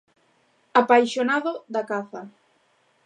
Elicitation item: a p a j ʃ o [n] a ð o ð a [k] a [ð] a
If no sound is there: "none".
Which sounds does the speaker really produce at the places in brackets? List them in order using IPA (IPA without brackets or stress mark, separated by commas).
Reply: n, k, θ